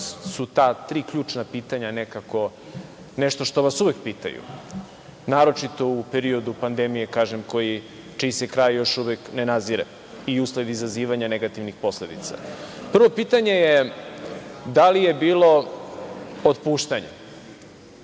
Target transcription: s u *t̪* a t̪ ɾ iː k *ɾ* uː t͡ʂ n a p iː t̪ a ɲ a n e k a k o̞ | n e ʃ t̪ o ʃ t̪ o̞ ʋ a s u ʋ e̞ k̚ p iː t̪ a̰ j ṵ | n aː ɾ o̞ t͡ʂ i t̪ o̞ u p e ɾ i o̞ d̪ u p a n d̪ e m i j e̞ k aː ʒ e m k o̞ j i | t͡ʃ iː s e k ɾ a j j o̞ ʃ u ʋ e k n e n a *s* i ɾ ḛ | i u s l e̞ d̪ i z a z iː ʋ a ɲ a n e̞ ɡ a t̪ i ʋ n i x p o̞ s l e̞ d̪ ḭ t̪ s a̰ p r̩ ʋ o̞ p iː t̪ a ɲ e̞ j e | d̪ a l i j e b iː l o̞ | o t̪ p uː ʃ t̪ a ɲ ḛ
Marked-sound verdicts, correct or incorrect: correct, incorrect: ʎ, incorrect: z

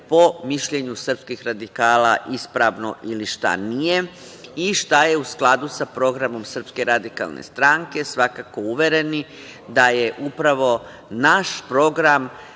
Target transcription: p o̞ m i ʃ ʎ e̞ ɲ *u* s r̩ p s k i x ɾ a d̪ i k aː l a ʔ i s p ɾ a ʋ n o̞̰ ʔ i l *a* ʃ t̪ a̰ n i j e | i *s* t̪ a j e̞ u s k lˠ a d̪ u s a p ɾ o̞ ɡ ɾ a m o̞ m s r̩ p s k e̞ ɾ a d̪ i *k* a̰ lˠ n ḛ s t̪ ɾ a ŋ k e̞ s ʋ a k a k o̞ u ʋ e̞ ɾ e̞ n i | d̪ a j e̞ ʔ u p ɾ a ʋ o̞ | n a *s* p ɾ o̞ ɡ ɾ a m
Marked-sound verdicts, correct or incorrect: correct, incorrect: i, incorrect: ʃ, correct, incorrect: ʃ

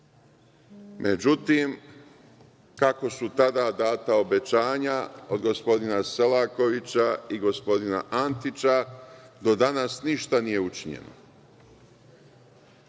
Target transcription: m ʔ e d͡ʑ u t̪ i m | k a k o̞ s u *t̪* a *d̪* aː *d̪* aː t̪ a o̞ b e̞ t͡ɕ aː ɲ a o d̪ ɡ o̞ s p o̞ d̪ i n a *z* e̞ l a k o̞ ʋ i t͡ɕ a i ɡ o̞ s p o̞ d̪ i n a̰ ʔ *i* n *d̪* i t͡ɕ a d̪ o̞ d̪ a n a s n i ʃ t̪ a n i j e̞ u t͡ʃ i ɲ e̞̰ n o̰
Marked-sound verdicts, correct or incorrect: correct, correct, correct, incorrect: s, incorrect: a, incorrect: t̪

